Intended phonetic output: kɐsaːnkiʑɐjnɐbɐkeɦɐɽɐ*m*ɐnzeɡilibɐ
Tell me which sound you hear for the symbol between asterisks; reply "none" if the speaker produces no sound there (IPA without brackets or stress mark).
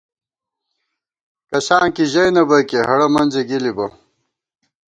m